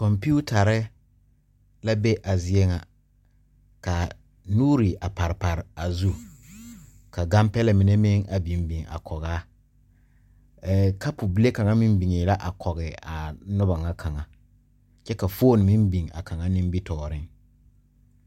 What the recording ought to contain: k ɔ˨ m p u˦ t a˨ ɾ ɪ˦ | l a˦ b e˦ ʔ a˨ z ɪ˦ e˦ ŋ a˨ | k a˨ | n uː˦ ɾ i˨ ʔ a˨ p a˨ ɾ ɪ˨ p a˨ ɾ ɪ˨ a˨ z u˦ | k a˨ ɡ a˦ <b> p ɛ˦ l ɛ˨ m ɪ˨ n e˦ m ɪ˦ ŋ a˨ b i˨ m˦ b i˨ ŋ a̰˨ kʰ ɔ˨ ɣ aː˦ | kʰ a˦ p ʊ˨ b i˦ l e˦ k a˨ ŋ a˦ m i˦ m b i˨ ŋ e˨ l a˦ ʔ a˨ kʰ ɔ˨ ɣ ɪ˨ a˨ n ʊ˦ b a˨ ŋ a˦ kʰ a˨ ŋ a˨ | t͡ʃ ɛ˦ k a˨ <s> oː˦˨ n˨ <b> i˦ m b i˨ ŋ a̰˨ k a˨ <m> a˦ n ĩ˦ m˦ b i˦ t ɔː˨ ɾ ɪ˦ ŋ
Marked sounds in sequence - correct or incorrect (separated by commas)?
incorrect, incorrect, incorrect, incorrect